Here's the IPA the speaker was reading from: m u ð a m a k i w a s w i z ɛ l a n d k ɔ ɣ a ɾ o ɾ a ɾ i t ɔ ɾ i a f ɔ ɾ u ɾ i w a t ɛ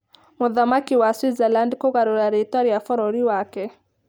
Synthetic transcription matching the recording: m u ð a m a k i w a s w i z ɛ l a n d k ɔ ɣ a ɾ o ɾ a ɾ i t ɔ ɾ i a f ɔ ɾ ɔ ɾ i w a k ɛ